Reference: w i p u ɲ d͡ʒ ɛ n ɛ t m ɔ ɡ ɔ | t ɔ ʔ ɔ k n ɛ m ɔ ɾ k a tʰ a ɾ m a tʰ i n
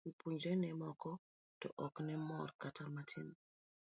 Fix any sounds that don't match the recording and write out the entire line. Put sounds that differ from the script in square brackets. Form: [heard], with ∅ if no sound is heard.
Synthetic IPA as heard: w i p u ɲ d͡ʒ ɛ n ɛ [∅] m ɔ [k] ɔ | t ɔ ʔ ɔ k n ɛ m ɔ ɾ k a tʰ a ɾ m a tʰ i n

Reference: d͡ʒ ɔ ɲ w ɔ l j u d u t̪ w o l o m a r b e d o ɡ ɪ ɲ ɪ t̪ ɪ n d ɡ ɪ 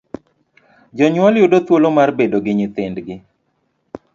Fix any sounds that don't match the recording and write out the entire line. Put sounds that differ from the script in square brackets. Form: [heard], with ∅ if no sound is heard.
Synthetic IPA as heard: d͡ʒ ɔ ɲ w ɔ l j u d [o] t̪ w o l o m a r b e d o ɡ ɪ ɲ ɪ t̪ ɪ n d ɡ ɪ

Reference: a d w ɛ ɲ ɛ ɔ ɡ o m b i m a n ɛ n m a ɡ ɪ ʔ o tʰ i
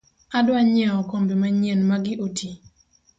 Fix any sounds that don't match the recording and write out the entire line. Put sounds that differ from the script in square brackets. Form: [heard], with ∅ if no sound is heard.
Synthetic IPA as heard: a d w [a] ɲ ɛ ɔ [k] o m b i m a [ɲ] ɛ n m a ɡ ɪ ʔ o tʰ i

